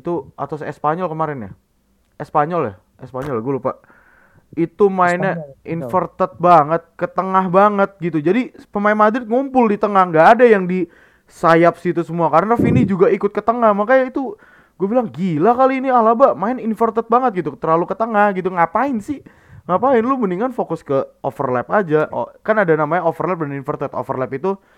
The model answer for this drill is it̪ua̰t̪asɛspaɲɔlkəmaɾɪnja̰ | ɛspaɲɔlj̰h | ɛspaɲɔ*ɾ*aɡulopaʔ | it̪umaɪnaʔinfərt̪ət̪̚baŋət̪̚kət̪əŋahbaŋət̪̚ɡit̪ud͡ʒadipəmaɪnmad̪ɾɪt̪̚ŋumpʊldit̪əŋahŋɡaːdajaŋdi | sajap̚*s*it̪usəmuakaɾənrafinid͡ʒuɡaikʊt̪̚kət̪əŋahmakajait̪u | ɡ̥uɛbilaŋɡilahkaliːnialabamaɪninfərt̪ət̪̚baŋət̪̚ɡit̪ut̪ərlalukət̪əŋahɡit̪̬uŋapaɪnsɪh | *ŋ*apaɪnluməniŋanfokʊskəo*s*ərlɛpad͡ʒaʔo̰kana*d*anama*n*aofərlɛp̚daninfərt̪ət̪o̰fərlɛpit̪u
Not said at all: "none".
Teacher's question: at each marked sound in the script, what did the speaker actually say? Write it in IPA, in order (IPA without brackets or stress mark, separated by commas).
l, s, ŋ, f, d, ɲ